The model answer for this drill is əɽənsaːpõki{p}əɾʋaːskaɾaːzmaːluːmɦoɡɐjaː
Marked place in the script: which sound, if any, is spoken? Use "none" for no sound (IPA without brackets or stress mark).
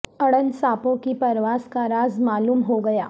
p